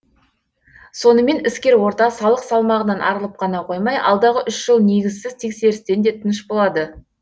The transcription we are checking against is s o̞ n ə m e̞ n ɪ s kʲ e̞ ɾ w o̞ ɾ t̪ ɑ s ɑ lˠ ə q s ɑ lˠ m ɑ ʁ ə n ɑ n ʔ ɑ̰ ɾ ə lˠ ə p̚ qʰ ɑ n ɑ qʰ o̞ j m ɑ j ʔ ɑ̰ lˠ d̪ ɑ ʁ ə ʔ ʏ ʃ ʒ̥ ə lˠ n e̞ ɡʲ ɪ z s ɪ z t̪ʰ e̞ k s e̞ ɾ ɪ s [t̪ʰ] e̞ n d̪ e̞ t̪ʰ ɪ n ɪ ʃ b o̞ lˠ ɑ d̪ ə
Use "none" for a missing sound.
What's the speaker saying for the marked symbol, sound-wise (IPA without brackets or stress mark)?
t̪